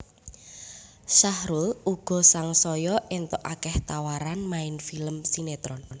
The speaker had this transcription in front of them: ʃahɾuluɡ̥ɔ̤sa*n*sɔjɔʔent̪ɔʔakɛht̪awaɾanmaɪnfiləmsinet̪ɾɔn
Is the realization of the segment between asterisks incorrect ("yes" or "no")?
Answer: yes